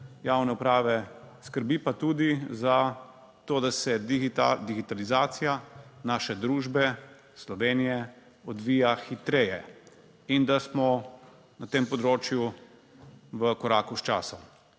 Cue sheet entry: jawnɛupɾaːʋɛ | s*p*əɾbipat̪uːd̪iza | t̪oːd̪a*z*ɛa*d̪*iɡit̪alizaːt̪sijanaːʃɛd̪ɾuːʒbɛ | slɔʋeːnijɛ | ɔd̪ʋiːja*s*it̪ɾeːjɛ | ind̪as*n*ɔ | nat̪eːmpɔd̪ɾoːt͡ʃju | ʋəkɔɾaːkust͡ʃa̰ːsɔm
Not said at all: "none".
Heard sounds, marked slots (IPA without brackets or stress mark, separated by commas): k, s, d̪, x, m